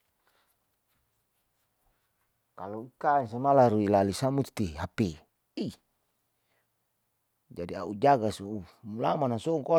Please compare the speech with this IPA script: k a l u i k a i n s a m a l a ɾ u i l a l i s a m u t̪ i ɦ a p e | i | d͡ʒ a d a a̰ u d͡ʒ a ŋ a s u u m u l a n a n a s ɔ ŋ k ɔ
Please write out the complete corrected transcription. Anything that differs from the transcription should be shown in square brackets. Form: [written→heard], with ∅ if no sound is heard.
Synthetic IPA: k a l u i k a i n s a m a l a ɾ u i l a l i s a m u t̪ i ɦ a p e | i | d͡ʒ a d [a→i] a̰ u d͡ʒ a [ŋ→ɡ] a s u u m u l a [n→m] a n a s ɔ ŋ k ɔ